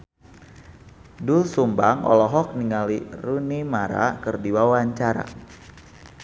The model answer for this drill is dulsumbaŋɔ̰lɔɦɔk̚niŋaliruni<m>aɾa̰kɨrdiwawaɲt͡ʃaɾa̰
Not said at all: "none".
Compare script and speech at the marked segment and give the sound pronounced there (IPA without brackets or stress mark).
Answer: m